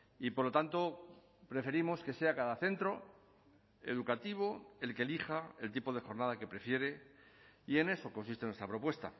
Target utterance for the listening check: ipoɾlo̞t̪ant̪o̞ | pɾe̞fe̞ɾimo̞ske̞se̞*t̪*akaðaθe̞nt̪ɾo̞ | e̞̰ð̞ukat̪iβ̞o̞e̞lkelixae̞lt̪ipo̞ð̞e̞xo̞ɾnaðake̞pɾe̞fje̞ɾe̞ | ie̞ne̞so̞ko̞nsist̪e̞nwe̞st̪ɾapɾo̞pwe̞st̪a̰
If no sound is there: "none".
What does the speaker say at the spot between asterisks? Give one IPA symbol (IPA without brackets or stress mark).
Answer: none